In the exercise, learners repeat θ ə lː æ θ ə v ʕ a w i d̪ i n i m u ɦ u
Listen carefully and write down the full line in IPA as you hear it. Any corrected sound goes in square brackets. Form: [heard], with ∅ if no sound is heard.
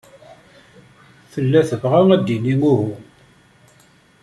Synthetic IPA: θ ə lː æ θ ə v [ʁ] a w [æ] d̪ i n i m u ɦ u

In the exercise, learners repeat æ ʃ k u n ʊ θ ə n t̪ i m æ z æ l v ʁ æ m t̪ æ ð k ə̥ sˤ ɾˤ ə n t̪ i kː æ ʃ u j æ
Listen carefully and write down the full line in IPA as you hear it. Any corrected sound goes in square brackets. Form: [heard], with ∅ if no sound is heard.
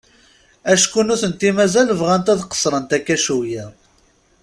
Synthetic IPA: æ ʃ k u n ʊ θ ə n t̪ i m æ z æ l v ʁ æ [n] t̪ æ ð [q] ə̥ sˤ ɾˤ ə n t̪ [æ] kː æ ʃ u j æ

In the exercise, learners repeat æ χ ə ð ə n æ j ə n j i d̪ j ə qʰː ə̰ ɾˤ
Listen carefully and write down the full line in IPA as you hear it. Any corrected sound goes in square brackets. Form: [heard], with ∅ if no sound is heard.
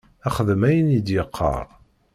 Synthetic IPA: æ χ ə ð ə [m] æ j ə n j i d̪ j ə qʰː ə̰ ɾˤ

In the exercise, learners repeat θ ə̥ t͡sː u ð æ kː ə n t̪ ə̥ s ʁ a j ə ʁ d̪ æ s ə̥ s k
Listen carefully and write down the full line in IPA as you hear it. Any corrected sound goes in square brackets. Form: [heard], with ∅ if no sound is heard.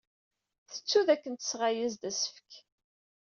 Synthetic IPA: θ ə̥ t͡sː u ð æ kː ə n t̪ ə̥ s ʁ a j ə [z] d̪ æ s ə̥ [f] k

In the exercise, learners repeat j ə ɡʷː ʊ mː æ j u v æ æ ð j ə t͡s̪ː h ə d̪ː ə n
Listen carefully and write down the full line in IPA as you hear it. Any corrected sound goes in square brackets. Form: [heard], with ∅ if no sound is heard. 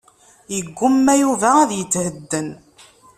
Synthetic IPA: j ə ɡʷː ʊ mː æ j u v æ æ ð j ə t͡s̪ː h ə d̪ː ə n

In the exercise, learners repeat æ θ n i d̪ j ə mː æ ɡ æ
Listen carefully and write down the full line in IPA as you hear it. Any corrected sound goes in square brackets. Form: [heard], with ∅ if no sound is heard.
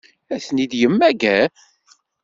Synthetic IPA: æ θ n i d̪ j ə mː æ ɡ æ

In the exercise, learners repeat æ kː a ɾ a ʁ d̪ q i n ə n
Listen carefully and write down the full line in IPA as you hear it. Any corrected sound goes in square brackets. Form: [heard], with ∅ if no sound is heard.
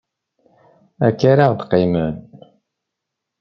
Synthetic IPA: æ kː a ɾ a ʁ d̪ q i [m] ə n

